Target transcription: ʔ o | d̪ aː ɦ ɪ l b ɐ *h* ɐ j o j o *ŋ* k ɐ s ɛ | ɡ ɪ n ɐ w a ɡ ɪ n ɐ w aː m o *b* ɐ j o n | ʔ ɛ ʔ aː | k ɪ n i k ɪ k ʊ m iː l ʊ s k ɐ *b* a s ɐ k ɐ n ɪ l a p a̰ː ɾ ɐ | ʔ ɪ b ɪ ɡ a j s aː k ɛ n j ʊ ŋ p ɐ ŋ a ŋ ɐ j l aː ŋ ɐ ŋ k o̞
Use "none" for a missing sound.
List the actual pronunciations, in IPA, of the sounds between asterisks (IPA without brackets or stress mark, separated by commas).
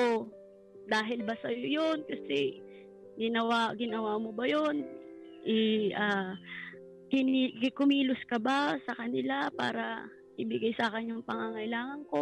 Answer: s, n, b, b